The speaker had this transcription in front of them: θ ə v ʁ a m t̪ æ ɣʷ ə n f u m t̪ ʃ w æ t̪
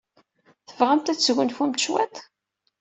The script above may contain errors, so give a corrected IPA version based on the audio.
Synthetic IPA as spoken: θ ə v ʁ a m t̪ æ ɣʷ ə n f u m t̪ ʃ w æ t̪